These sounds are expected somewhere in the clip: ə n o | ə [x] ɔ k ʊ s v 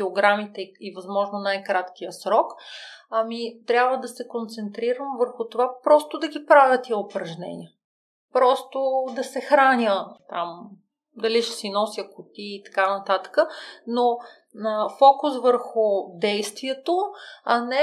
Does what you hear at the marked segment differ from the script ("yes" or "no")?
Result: yes